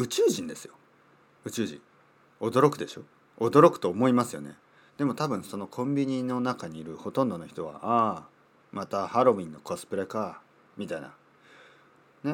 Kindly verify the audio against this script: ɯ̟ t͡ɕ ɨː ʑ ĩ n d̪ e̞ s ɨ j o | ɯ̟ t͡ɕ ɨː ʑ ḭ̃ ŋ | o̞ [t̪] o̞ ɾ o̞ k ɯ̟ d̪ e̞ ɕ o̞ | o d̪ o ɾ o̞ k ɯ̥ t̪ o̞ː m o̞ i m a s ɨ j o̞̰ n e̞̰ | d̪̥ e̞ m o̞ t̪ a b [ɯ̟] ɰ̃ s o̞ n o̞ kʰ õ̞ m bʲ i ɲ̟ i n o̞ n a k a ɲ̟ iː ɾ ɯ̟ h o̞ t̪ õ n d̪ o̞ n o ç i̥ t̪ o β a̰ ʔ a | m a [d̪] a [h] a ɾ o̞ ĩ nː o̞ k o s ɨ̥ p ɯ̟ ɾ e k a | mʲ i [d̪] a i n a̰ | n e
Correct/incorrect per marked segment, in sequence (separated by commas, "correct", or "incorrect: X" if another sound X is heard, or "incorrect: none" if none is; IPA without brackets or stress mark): incorrect: d̪, incorrect: ɯ̟̃, incorrect: t̪, correct, incorrect: t̪